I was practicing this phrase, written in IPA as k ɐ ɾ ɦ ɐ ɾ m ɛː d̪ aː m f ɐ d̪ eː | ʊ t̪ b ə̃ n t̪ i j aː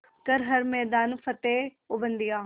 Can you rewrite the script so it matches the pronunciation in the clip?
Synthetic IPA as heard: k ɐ ɾ ɦ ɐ ɾ m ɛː d̪ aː n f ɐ t̪ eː | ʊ b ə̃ n d̪ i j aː